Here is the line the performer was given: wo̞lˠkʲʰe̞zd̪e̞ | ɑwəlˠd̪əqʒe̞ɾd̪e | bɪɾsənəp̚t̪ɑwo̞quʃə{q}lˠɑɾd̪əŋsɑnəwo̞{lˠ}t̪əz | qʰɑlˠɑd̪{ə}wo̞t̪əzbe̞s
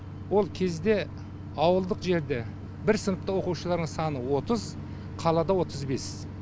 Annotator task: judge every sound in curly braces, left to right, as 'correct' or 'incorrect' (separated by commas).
incorrect, incorrect, incorrect